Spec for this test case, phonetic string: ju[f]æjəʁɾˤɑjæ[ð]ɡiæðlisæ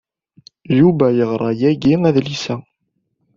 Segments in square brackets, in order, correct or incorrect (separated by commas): incorrect, incorrect